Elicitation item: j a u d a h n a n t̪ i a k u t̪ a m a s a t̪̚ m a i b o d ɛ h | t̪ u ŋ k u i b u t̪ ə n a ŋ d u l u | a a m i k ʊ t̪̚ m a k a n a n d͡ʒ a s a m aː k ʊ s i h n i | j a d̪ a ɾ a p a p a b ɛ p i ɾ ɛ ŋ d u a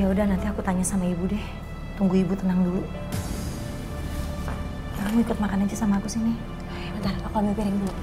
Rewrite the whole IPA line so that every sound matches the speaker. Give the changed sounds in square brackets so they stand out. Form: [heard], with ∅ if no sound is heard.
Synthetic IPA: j a u d a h n a n t̪ i a k u t̪ a [ɲ] a s a [∅] m a i b [u] d ɛ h | t̪ u ŋ [ɡ] u i b u t̪ ə n a ŋ d u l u | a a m i k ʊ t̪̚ m a k a n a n d͡ʒ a s a m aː k [u] s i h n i | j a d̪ a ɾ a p a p a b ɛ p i ɾ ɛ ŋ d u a